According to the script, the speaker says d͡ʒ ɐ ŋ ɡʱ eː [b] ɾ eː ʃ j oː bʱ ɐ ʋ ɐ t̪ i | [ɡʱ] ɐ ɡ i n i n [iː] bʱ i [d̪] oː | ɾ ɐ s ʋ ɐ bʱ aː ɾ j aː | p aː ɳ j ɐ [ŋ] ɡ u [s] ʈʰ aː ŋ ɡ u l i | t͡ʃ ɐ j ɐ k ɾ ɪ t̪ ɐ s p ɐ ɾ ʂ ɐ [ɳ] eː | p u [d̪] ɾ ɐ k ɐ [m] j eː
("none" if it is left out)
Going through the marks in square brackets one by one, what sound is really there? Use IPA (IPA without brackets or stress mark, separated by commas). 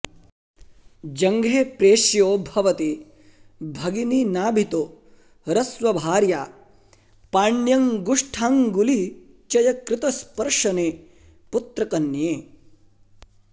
p, bʱ, aː, t̪, ŋ, ʂ, n, t̪, n